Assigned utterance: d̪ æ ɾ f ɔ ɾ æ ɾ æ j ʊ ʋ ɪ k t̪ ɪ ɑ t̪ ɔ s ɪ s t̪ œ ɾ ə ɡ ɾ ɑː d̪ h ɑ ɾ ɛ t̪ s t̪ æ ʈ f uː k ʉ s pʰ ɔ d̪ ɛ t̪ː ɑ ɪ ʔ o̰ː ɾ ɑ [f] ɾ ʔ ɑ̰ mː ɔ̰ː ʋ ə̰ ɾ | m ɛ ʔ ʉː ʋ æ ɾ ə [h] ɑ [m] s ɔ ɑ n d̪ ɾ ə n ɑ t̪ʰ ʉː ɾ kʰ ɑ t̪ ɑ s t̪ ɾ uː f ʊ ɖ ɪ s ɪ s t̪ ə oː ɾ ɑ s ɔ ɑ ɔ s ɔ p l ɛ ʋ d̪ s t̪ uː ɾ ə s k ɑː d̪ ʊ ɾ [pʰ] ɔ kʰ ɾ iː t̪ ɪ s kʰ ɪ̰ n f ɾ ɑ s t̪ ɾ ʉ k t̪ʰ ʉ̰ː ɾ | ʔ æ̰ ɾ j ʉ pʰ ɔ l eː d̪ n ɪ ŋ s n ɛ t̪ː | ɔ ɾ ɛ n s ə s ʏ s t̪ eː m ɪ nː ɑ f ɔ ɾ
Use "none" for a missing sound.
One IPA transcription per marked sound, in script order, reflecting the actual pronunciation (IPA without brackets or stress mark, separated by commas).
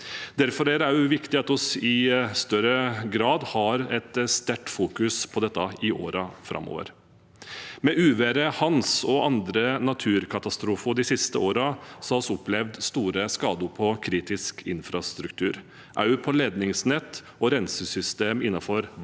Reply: f, h, n, pʰ